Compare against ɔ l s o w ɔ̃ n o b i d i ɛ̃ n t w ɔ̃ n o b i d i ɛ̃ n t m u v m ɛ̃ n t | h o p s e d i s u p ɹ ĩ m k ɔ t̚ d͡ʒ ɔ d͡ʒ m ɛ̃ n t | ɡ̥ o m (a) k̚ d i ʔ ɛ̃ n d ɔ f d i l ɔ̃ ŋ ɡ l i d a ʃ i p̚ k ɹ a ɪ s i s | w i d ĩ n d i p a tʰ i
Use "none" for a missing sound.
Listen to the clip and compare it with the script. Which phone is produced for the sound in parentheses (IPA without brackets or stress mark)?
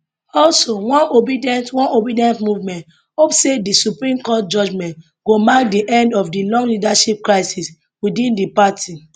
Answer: a